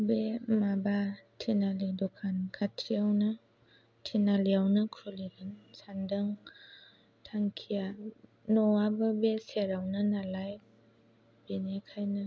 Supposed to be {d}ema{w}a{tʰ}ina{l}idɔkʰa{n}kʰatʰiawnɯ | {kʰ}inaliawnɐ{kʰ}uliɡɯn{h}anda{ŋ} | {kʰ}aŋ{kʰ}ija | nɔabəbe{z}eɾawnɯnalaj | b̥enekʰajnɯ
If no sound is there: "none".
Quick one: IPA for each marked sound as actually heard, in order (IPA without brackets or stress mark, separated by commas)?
b, b, tʰ, l, n, tʰ, kʰ, s, ŋ, tʰ, kʰ, s